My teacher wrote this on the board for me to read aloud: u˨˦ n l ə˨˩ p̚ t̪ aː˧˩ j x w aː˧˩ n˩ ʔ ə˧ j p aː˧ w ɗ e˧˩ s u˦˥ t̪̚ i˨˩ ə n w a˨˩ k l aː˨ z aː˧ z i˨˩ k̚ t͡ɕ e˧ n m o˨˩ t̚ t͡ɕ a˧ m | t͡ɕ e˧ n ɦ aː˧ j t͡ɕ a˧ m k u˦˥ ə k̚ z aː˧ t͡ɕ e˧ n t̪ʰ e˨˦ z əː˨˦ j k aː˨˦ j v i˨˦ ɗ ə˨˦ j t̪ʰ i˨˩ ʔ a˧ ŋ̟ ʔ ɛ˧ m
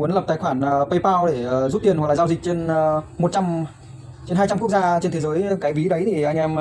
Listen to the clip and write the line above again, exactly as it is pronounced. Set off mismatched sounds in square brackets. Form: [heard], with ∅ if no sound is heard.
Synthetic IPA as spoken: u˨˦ n l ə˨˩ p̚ t̪ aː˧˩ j x w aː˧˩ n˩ [p] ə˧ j p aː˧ w ɗ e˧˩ [z] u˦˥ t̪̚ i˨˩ ə n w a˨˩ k l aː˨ z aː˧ z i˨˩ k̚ t͡ɕ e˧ n m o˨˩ t̚ t͡ɕ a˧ m | t͡ɕ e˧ n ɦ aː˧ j t͡ɕ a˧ m k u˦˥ ə k̚ z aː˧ t͡ɕ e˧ n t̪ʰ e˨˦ z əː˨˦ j k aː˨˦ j v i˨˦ ɗ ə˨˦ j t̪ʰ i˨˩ ʔ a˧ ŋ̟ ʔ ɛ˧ m

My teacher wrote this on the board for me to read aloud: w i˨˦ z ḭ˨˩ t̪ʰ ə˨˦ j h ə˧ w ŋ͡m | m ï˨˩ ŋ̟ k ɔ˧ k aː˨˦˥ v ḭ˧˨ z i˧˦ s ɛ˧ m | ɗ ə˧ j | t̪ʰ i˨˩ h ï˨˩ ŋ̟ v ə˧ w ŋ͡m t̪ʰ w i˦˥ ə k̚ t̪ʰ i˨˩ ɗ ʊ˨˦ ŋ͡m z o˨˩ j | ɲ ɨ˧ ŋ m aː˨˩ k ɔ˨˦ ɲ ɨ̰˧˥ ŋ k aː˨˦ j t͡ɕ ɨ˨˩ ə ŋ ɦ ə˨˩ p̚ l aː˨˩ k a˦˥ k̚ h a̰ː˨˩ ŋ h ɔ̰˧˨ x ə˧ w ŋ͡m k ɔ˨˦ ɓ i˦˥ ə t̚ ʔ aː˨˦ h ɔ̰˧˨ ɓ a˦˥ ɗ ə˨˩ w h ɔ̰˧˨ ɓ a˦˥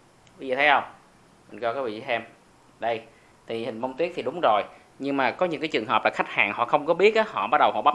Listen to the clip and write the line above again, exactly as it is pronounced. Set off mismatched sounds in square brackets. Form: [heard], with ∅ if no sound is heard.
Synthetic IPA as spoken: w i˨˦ z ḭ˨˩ t̪ʰ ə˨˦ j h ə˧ w ŋ͡m | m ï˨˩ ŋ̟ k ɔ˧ k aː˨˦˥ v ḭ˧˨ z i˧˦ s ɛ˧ m | ɗ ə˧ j | t̪ʰ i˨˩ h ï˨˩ ŋ̟ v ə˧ w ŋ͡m [t̪] w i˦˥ ə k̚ t̪ʰ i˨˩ ɗ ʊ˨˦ ŋ͡m z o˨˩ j | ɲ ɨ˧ ŋ m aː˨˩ k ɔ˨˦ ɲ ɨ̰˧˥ ŋ k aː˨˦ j t͡ɕ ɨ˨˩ ə ŋ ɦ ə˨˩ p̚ l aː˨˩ [x] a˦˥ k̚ h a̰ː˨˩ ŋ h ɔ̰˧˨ x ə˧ w ŋ͡m k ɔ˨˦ ɓ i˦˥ ə t̚ ʔ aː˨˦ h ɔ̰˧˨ ɓ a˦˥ ɗ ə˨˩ w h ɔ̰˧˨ ɓ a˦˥

